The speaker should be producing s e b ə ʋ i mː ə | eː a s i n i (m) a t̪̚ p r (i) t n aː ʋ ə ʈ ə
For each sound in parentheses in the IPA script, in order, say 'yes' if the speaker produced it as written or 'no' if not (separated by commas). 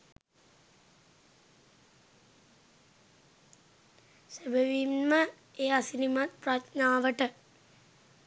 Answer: yes, no